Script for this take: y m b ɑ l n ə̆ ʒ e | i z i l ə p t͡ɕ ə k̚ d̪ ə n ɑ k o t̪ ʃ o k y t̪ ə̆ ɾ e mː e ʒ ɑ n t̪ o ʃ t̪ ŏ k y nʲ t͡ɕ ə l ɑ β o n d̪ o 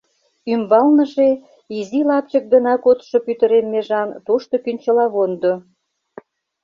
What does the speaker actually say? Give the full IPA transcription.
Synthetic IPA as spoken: y m b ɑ l n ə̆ ʒ e | i z i l ɑ p t͡ɕ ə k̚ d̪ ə n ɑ k o t̪ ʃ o p y t̪ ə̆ ɾ e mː e ʒ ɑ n t̪ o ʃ t̪ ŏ k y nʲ t͡ɕ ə l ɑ β o n d̪ o